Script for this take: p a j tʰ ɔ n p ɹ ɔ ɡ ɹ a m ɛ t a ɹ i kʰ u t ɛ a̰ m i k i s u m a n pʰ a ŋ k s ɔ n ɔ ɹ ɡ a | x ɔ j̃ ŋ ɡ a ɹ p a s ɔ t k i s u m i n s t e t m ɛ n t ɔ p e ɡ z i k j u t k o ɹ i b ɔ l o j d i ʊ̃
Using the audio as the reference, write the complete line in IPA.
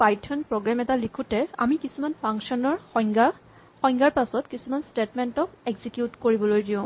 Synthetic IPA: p a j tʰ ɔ n p ɹ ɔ ɡ ɹ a m ɛ t a l i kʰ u t ɛ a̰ m i k i s u m a n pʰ a ŋ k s ɔ n ɔ ɹ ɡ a | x ɔ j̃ ŋ ɡ a ɹ p a s ɔ t k i s u m a n s t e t m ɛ n t ɔ k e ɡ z i k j u t k o ɹ i b ɔ l o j d i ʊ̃

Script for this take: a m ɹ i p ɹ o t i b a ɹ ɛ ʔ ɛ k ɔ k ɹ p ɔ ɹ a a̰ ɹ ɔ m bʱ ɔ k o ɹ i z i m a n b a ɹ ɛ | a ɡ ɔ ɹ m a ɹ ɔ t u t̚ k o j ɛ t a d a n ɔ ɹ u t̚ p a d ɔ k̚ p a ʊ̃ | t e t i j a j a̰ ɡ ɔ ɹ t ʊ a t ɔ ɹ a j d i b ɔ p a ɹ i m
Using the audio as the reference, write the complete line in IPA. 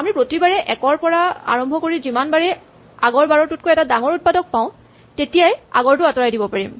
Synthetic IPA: a m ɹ i p ɹ o t i b a ɹ ɛ ʔ ɛ k ɔ ɹ p ɔ ɹ a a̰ ɹ ɔ m bʱ ɔ k o ɹ i z i m a n b a ɹ ɛ | a ɡ ɔ ɹ b a ɹ ɔ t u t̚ k o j ɛ t a d a ŋ ɔ ɹ u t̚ p a d ɔ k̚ p a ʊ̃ | t e t i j a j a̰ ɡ ɔ ɹ t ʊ a t ɔ ɹ a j d i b ɔ p a ɹ i m

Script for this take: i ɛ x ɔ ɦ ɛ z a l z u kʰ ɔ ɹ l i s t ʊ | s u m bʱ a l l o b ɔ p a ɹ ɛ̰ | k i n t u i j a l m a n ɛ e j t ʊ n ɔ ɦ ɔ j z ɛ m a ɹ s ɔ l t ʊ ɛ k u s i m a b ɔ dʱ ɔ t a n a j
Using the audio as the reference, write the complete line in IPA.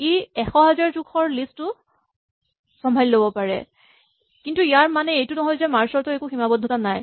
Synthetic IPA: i ɛ x ɔ ɦ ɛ z a ɹ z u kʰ ɔ ɹ l i s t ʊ | s ɔ m bʱ a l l o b ɔ p a ɹ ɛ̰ | k i n t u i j a ɹ m a n ɛ e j t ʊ n ɔ ɦ ɔ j z ɛ m a ɹ s ɔ ɹ t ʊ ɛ k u x i m a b ɔ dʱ ɔ t a n a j

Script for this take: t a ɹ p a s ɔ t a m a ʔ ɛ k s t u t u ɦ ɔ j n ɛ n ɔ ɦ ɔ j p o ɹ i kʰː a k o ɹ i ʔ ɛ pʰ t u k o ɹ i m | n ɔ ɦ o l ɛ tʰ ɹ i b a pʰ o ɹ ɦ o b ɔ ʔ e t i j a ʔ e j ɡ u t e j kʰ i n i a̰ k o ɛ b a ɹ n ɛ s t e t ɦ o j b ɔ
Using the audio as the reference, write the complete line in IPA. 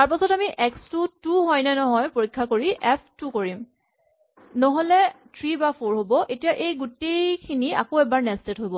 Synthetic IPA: t a ɹ p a s ɔ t a m i ʔ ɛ k s t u t u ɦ ɔ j n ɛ n ɔ ɦ ɔ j p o ɹ i kʰː a k o ɹ i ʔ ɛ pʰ t u k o ɹ i m | n ɔ ɦ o l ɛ tʰ ɹ i b a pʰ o ɹ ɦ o b ɔ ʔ e t i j a ʔ e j ɡ u t e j kʰ i n i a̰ k o ɛ b a ɹ n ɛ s t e t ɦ o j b ɔ

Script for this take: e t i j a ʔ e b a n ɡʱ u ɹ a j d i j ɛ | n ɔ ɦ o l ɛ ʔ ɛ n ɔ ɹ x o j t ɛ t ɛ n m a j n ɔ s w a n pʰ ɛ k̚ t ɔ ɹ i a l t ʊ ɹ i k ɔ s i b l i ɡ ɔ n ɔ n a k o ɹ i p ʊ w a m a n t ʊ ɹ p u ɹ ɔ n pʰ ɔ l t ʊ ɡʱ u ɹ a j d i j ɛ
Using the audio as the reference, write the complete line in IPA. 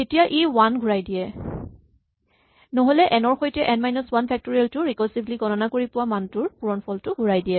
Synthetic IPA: e t i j a ʔ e w a n ɡʱ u ɹ a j d i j ɛ | n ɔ ɦ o l ɛ ʔ ɛ n ɔ ɹ x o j t ɛ ʔ ɛ n m a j n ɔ s w a n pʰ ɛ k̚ t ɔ ɹ i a l t ʊ ɹ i k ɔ s i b l i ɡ ɔ n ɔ n a k o ɹ i p ʊ w a m a n t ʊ ɹ p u ɹ ɔ n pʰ ɔ l t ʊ ɡʱ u ɹ a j d i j ɛ

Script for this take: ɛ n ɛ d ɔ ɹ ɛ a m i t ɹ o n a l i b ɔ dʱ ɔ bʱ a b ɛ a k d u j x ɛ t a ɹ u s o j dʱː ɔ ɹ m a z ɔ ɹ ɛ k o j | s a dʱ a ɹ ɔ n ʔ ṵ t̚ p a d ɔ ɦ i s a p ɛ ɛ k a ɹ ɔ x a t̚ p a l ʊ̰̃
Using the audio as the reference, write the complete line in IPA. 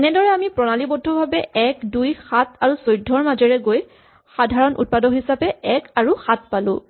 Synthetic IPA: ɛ n ɛ d ɔ ɹ ɛ a m i p ɹ ɔ n a l i b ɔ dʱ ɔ bʱ a b ɛ ɛ k d u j x a t a ɹ u s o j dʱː ɔ ɹ m a z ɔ ɹ ɛ ɡ o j | x a dʱ a ɹ ɔ n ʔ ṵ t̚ p a d ɔ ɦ i s a p ɛ ɛ k a ɹ u x a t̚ p a l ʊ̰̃

